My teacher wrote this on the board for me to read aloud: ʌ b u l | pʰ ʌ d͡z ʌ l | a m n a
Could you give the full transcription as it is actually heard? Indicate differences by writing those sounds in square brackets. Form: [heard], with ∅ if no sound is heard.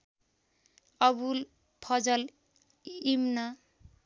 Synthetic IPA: ʌ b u l | pʰ ʌ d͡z ʌ l | [i] m n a